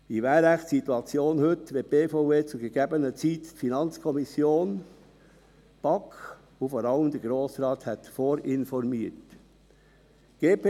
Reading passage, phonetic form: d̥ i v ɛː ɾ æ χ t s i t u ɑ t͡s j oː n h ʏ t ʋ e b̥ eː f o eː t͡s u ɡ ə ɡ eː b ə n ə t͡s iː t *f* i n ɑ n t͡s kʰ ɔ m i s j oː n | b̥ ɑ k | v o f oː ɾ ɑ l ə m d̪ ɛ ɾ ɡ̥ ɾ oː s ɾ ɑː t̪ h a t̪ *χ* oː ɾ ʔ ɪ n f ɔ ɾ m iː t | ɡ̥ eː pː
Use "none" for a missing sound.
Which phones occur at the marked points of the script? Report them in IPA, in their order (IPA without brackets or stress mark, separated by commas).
f, f